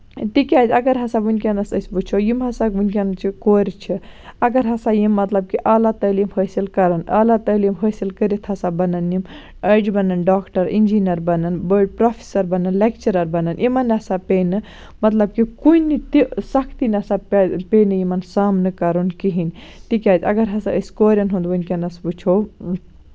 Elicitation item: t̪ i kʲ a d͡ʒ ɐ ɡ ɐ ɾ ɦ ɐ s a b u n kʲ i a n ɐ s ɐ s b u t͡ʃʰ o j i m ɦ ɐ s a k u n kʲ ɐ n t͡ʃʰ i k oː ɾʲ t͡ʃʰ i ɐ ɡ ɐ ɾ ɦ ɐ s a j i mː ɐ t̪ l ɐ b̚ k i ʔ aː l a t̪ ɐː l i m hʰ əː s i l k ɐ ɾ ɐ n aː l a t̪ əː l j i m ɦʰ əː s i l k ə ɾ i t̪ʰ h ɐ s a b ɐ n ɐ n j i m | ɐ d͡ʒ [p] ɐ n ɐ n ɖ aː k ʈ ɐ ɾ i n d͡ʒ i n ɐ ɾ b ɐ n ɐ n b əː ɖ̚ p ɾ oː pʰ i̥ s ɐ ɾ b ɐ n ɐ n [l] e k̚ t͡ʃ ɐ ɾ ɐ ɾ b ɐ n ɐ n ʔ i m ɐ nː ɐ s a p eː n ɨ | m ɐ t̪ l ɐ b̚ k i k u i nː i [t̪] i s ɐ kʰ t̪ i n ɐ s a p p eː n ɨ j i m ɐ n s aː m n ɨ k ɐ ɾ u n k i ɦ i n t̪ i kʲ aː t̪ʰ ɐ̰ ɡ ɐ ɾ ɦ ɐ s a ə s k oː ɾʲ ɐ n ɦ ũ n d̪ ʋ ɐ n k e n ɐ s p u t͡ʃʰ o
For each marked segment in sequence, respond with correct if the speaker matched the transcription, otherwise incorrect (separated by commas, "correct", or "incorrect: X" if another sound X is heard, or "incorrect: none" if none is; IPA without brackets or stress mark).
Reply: incorrect: b, correct, correct